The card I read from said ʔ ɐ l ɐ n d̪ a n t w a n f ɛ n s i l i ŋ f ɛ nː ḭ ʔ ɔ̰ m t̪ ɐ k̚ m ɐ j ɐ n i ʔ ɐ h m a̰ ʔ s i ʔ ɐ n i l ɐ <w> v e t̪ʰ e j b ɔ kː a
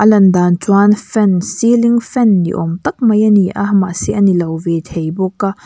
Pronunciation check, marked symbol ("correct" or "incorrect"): correct